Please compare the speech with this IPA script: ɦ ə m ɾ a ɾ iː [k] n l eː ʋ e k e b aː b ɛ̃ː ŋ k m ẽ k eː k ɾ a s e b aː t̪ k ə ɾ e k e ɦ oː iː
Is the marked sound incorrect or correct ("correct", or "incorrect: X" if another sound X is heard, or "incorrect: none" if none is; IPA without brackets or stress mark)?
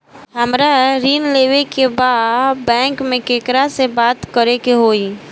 incorrect: none